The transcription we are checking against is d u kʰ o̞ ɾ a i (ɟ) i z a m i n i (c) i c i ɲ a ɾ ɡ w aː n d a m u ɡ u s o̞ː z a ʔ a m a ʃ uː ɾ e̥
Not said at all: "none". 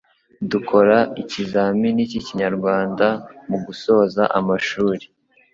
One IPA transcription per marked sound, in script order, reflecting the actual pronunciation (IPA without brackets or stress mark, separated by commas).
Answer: c, c